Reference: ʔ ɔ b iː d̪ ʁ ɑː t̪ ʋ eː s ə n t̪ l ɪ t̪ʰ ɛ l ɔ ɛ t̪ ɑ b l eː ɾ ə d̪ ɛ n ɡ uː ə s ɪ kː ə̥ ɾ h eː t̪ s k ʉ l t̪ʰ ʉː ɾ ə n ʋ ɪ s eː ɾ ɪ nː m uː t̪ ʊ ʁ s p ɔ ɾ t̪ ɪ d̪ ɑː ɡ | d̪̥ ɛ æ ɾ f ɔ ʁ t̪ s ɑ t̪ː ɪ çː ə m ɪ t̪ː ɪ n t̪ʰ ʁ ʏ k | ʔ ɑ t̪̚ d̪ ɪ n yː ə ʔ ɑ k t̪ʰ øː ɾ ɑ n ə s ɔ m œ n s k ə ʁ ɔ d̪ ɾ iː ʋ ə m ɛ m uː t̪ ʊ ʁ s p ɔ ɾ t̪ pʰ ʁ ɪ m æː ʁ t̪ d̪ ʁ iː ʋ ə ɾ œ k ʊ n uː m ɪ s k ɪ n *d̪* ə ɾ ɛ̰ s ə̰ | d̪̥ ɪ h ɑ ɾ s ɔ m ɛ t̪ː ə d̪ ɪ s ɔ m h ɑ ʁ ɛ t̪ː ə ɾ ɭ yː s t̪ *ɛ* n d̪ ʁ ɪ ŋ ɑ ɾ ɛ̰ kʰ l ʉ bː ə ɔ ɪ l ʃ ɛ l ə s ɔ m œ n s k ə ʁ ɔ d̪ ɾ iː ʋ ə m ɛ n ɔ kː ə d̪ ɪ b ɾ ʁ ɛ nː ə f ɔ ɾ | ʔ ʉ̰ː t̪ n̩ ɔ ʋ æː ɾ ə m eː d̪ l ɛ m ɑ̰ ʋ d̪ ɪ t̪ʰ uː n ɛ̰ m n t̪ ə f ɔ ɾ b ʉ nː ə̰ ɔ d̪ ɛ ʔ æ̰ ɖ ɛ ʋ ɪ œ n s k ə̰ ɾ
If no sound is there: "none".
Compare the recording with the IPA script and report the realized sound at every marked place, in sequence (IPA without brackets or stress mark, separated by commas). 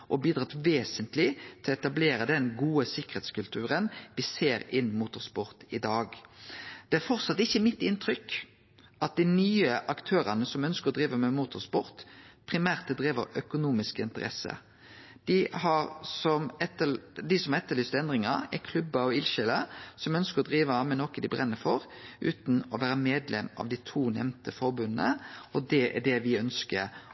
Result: t̪, ɛ